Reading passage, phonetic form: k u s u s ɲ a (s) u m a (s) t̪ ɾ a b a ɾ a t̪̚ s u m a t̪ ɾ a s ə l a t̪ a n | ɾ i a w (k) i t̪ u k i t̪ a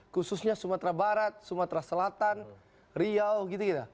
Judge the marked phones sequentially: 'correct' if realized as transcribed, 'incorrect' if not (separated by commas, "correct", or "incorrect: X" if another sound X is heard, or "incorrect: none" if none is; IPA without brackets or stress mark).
correct, incorrect: none, incorrect: ɡ